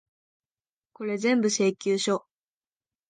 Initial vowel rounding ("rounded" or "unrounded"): rounded